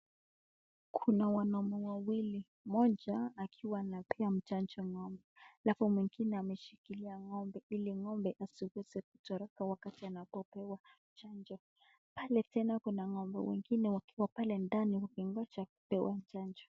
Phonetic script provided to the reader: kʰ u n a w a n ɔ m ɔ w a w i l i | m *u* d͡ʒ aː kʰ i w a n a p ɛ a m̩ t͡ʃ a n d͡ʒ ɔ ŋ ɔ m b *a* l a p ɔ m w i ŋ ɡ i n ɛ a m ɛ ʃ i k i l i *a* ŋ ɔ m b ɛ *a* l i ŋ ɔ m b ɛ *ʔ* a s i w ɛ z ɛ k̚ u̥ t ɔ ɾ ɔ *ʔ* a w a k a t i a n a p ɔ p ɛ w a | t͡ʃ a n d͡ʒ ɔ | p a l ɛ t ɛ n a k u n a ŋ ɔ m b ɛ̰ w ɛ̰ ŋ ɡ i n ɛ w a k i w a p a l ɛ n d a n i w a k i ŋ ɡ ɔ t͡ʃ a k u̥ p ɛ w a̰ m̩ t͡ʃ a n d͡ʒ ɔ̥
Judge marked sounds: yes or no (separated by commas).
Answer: no, no, yes, no, yes, no